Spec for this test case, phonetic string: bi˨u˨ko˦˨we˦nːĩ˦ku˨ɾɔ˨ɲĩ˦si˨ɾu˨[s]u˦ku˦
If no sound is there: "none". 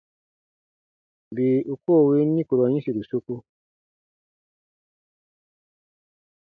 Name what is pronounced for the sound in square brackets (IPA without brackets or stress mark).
s